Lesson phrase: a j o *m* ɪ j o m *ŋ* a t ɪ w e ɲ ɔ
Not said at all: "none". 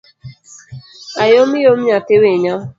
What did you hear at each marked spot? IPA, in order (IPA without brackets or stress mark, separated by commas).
m, ɲ